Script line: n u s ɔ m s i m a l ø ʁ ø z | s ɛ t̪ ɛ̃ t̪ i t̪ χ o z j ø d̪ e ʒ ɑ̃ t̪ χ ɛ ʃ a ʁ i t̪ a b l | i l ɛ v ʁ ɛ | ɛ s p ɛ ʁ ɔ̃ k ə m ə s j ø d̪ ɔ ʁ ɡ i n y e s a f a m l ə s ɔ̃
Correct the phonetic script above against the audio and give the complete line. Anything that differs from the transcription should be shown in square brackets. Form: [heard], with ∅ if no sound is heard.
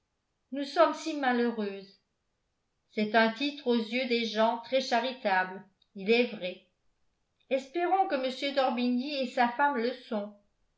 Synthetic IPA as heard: n u s ɔ m s i m a l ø ʁ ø z | s ɛ t̪ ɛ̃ t̪ i t̪ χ o z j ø d̪ e ʒ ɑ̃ t̪ χ ɛ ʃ a ʁ i t̪ a b l | i l ɛ v ʁ ɛ | ɛ s p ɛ ʁ ɔ̃ k ə m ə s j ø d̪ ɔ ʁ [b] i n [i] e s a f a m l ə s ɔ̃